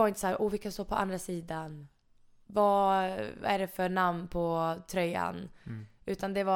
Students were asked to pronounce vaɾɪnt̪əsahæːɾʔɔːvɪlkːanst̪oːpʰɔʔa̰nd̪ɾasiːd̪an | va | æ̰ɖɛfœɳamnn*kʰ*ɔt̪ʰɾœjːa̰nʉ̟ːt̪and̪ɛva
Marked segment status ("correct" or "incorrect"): incorrect